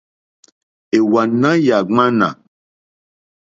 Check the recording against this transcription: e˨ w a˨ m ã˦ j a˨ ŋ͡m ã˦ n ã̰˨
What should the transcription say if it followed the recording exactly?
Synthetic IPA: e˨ w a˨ n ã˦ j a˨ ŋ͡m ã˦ n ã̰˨